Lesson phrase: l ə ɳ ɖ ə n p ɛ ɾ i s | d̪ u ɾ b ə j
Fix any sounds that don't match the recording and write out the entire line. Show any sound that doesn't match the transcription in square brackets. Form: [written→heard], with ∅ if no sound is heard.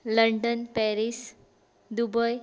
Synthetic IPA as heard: l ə ɳ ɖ ə n p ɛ ɾ i s | d̪ u [ɾ→∅] b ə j